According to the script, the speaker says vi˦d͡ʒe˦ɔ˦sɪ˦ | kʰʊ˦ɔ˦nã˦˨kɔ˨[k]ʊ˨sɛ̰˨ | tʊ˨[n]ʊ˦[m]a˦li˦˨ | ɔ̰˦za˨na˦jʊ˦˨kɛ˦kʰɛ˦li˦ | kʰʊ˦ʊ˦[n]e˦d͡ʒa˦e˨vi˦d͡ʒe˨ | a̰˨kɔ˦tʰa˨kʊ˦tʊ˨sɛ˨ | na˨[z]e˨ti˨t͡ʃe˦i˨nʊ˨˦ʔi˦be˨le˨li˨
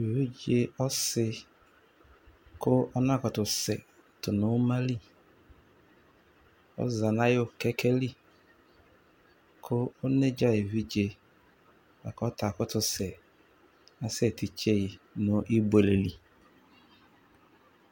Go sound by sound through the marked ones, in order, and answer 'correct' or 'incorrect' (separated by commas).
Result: incorrect, correct, correct, correct, incorrect